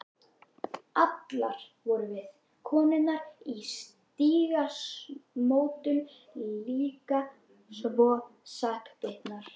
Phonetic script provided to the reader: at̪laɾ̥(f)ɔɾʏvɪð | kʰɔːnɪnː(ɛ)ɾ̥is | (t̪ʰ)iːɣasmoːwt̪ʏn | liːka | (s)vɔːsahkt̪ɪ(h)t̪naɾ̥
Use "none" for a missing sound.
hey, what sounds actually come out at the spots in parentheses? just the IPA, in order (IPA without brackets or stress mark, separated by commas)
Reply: v, a, t̪, s, h